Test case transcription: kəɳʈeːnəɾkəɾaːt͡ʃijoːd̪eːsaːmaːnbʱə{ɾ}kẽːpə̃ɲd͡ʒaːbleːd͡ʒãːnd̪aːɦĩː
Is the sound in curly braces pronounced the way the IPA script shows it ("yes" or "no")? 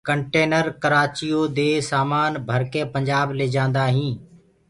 yes